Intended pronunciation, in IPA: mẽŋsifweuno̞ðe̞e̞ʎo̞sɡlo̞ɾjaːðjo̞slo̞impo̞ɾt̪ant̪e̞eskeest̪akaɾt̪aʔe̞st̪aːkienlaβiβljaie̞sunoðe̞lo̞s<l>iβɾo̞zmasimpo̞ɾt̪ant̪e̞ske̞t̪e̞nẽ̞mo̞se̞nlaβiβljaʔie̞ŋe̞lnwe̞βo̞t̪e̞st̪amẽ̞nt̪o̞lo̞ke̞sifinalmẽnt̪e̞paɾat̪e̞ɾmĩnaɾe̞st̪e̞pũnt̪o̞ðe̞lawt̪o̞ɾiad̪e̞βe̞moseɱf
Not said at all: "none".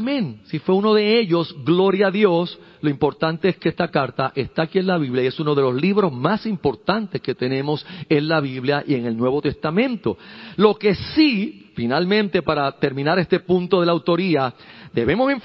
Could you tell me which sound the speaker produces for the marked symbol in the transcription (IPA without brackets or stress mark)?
l